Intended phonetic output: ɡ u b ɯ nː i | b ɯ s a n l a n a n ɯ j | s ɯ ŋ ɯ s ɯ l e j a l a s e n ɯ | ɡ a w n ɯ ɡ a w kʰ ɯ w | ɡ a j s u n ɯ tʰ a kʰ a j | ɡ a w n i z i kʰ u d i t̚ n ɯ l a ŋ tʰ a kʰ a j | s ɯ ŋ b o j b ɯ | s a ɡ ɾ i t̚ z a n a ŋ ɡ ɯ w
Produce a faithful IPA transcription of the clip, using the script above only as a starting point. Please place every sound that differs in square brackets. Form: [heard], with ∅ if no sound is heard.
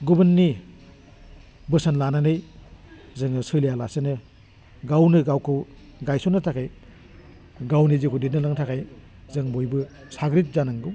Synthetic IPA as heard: ɡ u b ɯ nː i | b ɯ s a n l a n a n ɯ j | [z] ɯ ŋ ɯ s ɯ l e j a l a s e n ɯ | ɡ a w n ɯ ɡ a w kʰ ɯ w | ɡ a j s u n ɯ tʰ a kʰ a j | ɡ a w n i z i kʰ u d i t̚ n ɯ l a ŋ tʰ a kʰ a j | [z] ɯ ŋ b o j b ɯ | s a ɡ ɾ i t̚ z a n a ŋ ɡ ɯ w